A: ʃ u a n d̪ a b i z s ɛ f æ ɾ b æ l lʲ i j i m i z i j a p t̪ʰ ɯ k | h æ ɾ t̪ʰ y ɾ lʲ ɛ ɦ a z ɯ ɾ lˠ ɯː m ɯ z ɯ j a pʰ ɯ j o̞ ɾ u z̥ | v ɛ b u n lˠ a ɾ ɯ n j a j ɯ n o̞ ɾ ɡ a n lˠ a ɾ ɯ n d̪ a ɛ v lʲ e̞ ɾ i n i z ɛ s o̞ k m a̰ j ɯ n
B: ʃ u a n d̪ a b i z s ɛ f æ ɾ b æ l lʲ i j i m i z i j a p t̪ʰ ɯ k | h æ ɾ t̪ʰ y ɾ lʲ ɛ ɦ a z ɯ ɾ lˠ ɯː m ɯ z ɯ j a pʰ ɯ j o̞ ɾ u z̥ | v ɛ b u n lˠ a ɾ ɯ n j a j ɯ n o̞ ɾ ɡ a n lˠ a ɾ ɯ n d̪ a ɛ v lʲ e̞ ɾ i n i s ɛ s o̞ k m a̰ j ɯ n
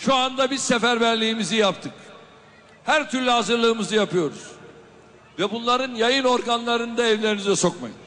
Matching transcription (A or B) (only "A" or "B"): A